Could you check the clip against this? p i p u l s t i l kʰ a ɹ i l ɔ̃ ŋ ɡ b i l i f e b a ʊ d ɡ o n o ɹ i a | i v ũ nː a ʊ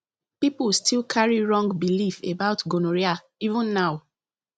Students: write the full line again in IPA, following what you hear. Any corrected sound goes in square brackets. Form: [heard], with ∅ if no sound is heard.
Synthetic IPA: p i p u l s t i l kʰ a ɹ i [ɹ] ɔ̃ ŋ ɡ b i l i f e b a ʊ [t] ɡ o n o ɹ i a | i v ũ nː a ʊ